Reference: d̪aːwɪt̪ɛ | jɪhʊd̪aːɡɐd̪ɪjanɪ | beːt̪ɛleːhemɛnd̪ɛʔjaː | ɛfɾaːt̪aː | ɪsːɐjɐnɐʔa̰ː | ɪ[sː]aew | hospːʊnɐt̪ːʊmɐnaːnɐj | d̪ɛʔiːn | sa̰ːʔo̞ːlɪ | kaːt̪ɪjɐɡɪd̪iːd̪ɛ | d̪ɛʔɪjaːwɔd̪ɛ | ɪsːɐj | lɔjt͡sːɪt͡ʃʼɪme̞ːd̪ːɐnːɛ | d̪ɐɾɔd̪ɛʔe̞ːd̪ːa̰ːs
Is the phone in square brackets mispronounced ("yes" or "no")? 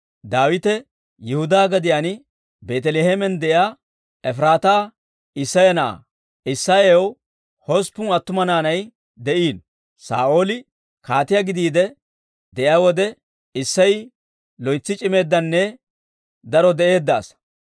no